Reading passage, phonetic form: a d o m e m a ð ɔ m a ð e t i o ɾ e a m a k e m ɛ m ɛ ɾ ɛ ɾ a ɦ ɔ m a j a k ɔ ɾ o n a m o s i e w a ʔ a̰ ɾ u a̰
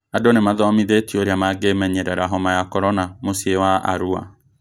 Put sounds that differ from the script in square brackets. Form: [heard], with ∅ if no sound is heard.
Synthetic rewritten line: a d o [n] e m a ð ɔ m [i] ð e t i o ɾ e a m a [ɡ] e m ɛ [ɲ] ɛ ɾ ɛ ɾ a ɦ ɔ m a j a k ɔ ɾ [ɔ] n a m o s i e w a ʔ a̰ ɾ u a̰

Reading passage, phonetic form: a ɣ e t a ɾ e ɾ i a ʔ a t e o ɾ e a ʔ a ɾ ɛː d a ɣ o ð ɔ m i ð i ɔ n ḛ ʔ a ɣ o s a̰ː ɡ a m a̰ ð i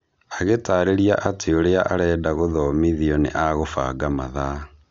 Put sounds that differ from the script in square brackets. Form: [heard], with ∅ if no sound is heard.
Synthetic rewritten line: a ɣ e t a ɾ e ɾ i a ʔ a t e o ɾ e a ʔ a ɾ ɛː d a ɣ o ð ɔ m i ð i ɔ n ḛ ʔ a ɣ o [f] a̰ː ɡ a m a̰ ð [a]

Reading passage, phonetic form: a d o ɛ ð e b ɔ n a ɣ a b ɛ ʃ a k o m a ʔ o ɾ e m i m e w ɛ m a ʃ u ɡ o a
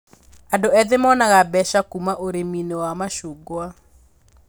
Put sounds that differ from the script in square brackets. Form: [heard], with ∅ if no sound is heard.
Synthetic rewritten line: a d o ɛ ð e [m] ɔ n a ɣ a b ɛ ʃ a k [u] m a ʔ o ɾ e m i [n] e w [a] m a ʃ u ɡ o a

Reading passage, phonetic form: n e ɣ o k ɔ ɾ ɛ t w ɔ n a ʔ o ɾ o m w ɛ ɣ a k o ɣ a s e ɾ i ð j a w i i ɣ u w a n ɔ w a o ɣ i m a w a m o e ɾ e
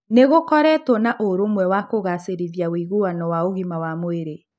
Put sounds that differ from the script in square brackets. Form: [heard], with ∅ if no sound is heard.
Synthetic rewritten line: n e ɣ o k ɔ ɾ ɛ t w ɔ n a ʔ o ɾ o m w ɛ [w] a k o ɣ a s e ɾ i ð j a w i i ɣ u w a n ɔ w a o ɣ i m a w a m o e ɾ e

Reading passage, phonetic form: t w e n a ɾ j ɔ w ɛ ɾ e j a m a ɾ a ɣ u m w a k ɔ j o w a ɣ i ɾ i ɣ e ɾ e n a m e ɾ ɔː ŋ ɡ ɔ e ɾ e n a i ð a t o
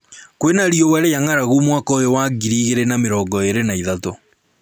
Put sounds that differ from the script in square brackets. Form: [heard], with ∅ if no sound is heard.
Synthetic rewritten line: [k] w e n a ɾ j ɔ w ɛ ɾ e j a [ŋ] a ɾ a ɣ u m w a k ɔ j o w a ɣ i ɾ i ɣ e ɾ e n a m e ɾ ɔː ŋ ɡ ɔ e ɾ e n a i ð a t o

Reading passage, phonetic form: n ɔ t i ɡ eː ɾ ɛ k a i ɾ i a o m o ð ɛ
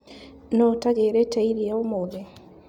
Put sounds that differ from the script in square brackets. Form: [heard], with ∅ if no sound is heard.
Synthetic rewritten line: n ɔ t [a] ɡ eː ɾ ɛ [t] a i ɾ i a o m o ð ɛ

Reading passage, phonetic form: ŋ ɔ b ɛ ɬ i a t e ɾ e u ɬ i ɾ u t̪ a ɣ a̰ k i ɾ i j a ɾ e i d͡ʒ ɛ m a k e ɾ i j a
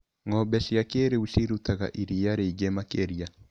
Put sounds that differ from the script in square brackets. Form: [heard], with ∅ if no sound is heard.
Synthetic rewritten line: ŋ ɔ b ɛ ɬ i a [k] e ɾ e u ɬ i ɾ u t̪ a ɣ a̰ [ʔ] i ɾ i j a ɾ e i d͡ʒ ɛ m a k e ɾ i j a

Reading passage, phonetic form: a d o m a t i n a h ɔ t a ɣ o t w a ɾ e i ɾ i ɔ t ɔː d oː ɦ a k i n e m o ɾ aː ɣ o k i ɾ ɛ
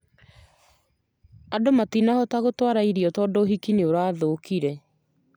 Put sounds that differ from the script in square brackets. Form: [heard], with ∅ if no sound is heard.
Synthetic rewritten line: a d o m a t i n a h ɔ t a ɣ o t w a ɾ [a] i ɾ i ɔ t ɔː d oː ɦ [i] k i n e [∅] o ɾ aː [ð] o k i ɾ ɛ

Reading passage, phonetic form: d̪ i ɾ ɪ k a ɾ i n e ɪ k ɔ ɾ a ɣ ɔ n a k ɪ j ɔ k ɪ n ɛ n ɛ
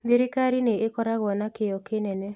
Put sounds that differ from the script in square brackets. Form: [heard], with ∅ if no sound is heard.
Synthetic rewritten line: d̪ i ɾ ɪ k a ɾ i n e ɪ k ɔ ɾ a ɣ ɔ n a k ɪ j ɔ k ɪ n ɛ n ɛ

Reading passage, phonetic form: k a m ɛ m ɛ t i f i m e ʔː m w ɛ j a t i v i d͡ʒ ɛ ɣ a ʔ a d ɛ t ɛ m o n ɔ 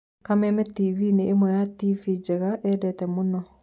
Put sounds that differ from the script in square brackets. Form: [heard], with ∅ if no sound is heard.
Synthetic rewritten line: k a m ɛ m ɛ t i [v] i [n] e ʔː m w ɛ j a t i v i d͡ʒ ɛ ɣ a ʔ [ɛ] d ɛ t ɛ m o n ɔ

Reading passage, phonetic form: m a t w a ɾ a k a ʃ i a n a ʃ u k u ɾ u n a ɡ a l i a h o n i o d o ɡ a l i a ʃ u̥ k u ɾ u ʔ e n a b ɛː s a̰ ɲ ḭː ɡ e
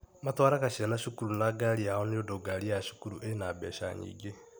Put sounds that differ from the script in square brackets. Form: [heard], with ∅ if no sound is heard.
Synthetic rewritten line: m a t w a ɾ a k a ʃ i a n a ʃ u k u ɾ u n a ɡ a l i a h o n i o d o ɡ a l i a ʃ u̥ k u ɾ u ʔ e n a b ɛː [ʃ] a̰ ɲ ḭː ɡ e

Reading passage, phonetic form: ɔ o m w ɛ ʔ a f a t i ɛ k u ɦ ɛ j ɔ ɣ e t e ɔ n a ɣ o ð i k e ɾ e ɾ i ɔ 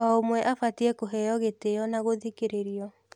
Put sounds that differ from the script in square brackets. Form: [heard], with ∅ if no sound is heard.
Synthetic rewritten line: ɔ o m w ɛ ʔ a f a t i ɛ k [o] ɦ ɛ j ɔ ɣ e t e ɔ n a ɣ o ð i k e ɾ e ɾ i ɔ

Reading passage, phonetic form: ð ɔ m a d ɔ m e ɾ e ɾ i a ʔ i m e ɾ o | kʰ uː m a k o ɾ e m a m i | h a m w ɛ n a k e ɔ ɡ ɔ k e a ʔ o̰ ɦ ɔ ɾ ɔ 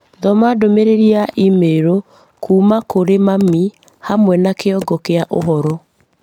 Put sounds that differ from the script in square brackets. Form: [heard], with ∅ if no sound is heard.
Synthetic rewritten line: ð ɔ m a d [o] m e ɾ e ɾ i a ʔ i m e ɾ o | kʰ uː m a k o ɾ e m a m i | h a m w ɛ n a k e ɔ ɡ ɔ k e a ʔ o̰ ɦ ɔ ɾ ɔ

